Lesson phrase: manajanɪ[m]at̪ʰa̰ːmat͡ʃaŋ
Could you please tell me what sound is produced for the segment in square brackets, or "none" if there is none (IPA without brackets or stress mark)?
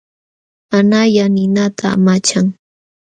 n